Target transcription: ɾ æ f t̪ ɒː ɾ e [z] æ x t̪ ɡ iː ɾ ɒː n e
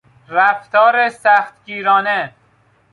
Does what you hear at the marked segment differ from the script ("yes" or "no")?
yes